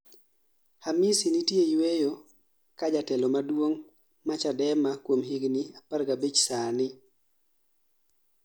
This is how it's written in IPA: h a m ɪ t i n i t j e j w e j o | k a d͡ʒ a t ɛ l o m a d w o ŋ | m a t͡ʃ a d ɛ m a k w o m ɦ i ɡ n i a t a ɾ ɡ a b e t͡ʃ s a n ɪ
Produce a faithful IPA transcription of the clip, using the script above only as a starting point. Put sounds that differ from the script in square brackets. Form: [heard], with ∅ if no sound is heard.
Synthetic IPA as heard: h a m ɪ [s] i n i t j e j w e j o | k a d͡ʒ a t ɛ l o m a d w o ŋ | m a t͡ʃ a d ɛ m a k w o m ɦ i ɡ n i a [p] a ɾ ɡ a b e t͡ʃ s a n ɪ